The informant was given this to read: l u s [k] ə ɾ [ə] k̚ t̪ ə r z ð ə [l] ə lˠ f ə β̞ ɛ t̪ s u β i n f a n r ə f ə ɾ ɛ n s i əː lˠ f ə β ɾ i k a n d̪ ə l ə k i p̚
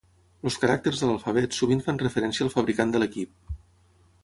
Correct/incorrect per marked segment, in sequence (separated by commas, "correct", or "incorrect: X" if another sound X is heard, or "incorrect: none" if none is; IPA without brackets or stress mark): correct, incorrect: a, correct